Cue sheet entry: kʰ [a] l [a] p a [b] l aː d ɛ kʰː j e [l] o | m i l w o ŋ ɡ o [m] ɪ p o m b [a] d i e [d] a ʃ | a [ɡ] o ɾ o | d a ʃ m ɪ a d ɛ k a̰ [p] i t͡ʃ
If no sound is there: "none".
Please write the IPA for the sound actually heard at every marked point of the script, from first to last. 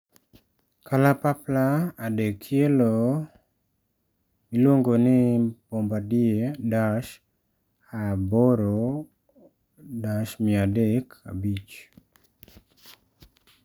a, a, p, l, n, a, d, b, b

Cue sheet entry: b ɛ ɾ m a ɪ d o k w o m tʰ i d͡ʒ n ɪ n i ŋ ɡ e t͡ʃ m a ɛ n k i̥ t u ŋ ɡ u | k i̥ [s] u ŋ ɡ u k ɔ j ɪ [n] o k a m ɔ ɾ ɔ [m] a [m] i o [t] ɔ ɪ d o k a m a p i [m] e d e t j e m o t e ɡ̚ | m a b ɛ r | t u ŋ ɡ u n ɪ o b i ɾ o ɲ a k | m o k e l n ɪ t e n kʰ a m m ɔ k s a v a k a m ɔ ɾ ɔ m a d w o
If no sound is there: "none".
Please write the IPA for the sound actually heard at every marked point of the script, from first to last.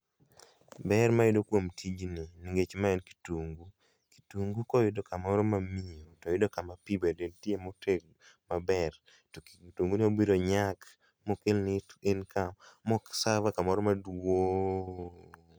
t, d, m, m, t, b

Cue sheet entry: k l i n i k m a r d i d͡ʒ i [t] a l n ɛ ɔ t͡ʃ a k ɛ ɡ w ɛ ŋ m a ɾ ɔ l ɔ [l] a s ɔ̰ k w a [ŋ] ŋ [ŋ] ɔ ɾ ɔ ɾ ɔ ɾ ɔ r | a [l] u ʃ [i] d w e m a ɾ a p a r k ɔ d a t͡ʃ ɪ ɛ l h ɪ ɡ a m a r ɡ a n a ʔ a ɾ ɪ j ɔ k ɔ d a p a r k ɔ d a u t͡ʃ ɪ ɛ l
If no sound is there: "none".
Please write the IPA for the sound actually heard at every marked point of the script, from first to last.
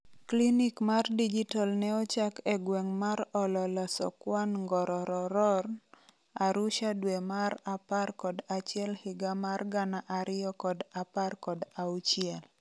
t, l, n, ɡ, ɾ, a

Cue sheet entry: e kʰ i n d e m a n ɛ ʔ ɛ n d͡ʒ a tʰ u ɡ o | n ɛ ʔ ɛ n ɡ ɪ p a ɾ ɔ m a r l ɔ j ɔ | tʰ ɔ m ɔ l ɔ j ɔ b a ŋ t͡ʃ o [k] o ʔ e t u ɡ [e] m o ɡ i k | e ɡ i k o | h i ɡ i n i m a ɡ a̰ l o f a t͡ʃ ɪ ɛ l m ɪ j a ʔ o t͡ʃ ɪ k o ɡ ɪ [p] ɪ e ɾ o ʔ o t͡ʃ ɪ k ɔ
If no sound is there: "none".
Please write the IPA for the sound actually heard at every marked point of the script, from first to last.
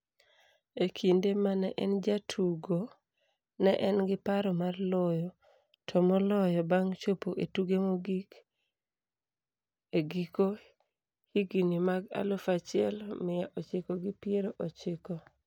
p, e, p

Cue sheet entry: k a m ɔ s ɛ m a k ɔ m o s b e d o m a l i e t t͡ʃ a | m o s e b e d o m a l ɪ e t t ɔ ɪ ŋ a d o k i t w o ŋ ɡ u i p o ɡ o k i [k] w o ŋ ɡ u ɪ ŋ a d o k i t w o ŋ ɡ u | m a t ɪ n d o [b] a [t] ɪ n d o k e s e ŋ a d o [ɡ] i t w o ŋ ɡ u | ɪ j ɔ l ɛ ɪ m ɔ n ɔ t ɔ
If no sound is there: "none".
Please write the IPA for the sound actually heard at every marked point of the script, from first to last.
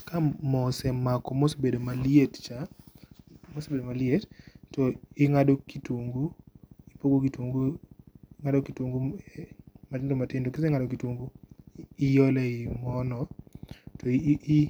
t, m, t, k

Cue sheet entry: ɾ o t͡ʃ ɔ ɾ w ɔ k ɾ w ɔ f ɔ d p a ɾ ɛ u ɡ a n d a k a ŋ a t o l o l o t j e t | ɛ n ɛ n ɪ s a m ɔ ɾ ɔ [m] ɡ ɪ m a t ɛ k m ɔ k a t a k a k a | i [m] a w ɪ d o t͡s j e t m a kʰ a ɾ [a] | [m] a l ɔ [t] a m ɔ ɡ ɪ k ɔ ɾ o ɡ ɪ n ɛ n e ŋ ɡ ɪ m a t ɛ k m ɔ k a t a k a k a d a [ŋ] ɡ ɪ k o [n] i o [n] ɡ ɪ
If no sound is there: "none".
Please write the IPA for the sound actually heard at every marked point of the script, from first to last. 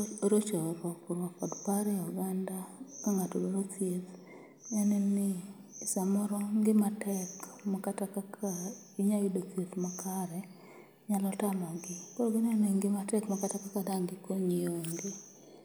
ŋ, ɲ, ɛ, ɲ, t, ŋ, ɲ, ŋ

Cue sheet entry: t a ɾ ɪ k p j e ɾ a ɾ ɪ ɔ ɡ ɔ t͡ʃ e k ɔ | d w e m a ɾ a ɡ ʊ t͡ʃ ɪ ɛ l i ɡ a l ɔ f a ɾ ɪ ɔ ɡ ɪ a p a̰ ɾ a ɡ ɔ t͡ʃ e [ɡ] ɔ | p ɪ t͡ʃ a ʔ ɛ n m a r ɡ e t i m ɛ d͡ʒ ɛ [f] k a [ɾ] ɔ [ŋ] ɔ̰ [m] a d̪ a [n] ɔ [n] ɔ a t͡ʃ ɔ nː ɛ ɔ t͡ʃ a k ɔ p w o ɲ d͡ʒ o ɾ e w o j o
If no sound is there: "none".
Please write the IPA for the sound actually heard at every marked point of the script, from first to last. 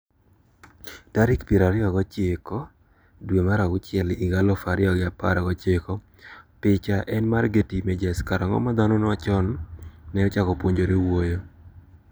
k, s, ɾ, ŋ, m, n, n

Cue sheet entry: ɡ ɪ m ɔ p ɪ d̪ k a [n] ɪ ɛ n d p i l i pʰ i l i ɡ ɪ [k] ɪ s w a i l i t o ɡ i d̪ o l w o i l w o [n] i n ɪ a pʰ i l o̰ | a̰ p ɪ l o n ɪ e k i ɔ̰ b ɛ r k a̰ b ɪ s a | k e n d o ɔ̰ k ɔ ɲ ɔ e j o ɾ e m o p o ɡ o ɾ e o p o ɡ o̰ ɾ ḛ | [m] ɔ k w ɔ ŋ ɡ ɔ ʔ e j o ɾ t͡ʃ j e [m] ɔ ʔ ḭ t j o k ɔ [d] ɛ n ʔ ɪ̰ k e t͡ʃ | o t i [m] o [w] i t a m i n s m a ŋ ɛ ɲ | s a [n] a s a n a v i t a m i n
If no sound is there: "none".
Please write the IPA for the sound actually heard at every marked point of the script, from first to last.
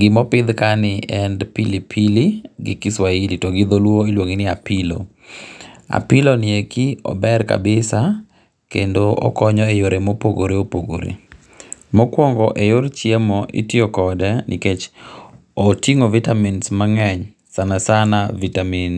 n, k, ŋ, m, m, d, ŋ, v, n

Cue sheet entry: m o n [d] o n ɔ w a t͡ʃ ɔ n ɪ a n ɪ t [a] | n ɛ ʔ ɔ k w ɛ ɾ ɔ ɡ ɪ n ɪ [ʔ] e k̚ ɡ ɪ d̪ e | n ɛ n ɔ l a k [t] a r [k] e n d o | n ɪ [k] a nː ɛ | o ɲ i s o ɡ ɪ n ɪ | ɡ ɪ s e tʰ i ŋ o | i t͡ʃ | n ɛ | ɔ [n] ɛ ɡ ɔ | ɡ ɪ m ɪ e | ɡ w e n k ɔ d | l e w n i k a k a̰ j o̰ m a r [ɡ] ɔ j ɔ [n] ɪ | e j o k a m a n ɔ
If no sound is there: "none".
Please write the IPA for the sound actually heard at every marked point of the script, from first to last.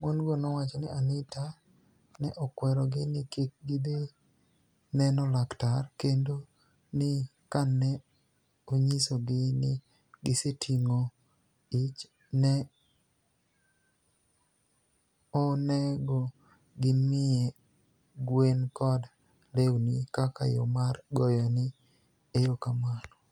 ɡ, a, k, t, k, k, n, ɡ, n

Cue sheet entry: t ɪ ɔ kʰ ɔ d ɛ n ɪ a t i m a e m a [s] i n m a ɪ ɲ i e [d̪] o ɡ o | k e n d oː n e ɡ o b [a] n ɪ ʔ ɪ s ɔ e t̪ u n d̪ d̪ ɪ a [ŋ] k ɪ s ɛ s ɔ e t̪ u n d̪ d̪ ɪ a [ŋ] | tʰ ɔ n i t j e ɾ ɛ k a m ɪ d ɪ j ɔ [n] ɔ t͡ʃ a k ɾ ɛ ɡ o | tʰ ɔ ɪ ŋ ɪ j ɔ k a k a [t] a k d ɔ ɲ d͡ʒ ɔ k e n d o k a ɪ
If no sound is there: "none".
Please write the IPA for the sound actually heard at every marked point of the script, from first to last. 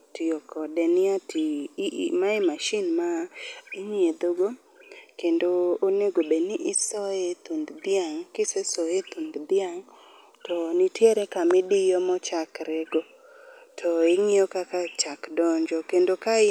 ʃ, d̪, e, ŋ, ŋ, m, t͡ʃ

